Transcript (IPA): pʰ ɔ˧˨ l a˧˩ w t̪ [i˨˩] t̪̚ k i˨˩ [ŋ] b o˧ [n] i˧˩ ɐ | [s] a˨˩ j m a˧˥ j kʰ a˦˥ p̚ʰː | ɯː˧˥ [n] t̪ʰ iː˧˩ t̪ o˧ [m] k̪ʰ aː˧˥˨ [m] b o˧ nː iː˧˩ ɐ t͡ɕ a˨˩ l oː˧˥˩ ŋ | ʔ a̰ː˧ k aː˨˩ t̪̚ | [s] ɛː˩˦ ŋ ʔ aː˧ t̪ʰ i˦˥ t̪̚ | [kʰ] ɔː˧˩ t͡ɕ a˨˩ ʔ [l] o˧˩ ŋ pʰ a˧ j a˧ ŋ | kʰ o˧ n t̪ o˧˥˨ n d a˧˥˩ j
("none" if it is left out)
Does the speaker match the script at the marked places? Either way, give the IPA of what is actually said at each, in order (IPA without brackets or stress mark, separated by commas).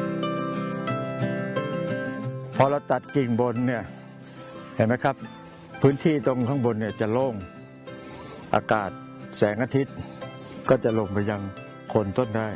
a˨˩, ŋ, nː, h, n, ŋ, ŋ, s, k, l